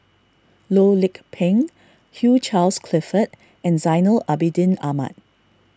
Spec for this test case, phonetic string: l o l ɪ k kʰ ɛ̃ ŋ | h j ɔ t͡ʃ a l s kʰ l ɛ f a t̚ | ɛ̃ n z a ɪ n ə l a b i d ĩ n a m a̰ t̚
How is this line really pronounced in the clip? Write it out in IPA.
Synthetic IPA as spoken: l o l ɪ k pʰ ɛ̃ ŋ | h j u t͡ʃ a l s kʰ l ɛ f ə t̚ | ɛ̃ n z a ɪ n ə l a b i d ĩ n a m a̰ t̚